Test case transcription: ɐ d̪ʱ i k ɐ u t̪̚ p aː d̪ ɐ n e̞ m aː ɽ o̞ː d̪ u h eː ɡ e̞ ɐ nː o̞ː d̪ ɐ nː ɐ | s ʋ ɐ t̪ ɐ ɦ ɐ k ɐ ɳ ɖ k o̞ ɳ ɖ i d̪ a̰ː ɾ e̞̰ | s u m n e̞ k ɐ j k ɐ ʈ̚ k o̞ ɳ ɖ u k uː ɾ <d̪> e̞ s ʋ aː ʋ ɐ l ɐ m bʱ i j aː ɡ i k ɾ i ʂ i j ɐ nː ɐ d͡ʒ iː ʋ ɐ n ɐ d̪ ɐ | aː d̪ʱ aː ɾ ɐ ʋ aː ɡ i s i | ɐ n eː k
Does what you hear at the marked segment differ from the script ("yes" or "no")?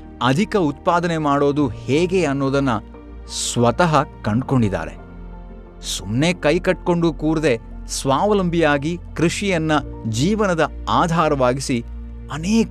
no